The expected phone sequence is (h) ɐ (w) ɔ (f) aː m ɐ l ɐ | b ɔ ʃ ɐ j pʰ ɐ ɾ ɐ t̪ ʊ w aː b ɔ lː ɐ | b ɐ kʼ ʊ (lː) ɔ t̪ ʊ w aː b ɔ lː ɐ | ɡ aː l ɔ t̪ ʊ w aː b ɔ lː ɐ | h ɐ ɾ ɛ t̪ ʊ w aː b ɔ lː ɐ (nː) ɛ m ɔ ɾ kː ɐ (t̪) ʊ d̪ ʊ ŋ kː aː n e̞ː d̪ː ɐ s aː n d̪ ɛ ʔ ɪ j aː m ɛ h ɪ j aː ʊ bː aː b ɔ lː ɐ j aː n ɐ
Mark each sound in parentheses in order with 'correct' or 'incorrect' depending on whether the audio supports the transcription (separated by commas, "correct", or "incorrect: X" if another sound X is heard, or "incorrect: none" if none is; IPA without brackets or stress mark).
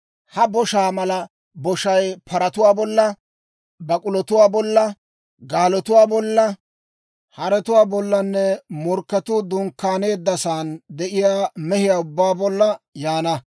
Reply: correct, incorrect: b, incorrect: ʃ, incorrect: l, correct, correct